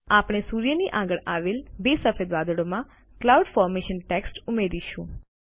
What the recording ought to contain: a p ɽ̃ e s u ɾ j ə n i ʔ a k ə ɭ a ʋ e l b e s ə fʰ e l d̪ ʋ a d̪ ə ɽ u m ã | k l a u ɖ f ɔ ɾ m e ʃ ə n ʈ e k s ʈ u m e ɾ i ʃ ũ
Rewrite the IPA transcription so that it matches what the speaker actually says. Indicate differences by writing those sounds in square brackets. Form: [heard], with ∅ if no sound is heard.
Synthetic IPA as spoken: a p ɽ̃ e s u ɾ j ə n i ʔ a [ɡ] ə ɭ a ʋ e l b e s ə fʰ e [∅] d̪ ʋ a d̪ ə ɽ [o] m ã | k l a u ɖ f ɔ ɾ m e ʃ ə n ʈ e k s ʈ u m e ɾ i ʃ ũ